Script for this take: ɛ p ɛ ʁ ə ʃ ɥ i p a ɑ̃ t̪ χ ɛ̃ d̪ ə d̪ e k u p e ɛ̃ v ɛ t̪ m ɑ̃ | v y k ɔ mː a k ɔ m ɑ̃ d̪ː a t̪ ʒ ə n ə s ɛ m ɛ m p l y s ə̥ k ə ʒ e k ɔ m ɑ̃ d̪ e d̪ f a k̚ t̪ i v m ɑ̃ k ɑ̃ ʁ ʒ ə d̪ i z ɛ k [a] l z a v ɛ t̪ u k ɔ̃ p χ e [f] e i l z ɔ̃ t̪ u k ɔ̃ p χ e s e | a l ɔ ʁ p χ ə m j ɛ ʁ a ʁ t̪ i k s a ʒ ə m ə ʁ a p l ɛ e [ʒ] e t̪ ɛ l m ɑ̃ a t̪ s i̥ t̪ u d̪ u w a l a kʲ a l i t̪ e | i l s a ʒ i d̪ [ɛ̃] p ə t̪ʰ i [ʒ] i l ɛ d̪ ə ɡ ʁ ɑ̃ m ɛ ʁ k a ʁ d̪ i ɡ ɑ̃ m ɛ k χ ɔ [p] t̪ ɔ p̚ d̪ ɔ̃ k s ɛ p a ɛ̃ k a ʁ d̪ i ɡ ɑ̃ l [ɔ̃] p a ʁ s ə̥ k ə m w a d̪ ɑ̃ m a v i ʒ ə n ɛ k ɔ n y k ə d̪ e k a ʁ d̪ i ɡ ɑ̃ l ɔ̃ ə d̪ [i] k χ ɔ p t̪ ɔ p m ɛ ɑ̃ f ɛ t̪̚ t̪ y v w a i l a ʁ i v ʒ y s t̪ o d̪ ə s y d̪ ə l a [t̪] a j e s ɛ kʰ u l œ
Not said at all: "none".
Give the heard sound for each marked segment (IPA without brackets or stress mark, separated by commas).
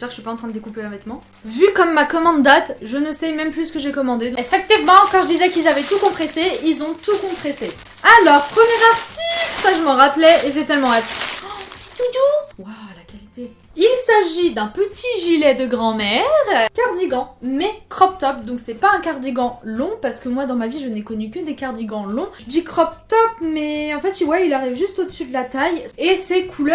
i, s, ʒ, ɛ̃, ʒ, p, ɔ̃, i, t̪